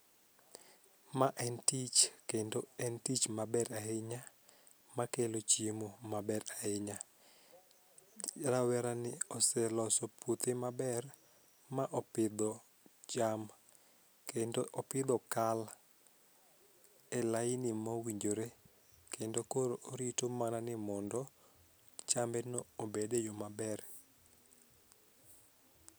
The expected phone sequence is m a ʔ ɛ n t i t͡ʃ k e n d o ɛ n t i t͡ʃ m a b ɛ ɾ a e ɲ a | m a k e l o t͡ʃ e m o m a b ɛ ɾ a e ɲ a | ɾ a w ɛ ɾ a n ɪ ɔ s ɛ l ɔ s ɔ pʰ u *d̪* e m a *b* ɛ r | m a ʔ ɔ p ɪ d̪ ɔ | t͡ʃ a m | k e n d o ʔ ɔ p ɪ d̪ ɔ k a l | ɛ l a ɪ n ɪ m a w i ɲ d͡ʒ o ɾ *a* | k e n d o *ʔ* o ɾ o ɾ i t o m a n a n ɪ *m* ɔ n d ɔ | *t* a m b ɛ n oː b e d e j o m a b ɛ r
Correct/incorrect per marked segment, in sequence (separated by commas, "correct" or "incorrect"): incorrect, correct, incorrect, incorrect, correct, incorrect